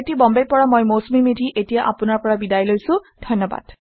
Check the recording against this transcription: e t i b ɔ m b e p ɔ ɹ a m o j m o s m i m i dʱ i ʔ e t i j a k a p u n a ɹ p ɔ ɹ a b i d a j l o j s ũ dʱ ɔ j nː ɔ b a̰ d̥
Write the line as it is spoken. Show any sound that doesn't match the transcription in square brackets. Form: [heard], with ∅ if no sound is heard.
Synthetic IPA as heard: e t i b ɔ m b e p ɔ ɹ a m o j m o s m i m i dʱ i ʔ e t i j a [ʔ] a p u n a ɹ p ɔ ɹ a b i d a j l o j s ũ dʱ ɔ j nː ɔ b a̰ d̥